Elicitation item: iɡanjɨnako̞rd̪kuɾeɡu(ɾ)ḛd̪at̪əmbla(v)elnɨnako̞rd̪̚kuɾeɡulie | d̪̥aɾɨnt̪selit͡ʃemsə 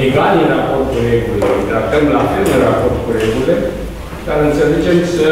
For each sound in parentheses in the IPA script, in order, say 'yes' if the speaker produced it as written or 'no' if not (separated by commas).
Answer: no, no